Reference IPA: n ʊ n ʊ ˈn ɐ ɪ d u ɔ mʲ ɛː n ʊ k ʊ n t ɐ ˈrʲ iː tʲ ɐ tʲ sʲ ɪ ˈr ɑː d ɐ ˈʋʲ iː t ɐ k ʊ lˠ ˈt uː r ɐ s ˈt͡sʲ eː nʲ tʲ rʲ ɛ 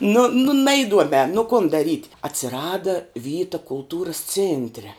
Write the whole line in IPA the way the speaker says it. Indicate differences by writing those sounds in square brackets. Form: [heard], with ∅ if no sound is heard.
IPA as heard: n ʊ n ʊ ˈn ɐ ɪ d u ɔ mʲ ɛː n ʊ k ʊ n [d] ɐ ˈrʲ iː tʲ ɐ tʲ sʲ ɪ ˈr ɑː d ɐ ˈʋʲ iː t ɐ k ʊ lˠ ˈt uː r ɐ s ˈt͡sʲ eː nʲ tʲ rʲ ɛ